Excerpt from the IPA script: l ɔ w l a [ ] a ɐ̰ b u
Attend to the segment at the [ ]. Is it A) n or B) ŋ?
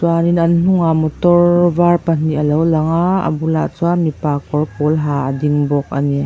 B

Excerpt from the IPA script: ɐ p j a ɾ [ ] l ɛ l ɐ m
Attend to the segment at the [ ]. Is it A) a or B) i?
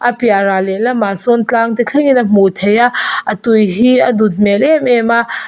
A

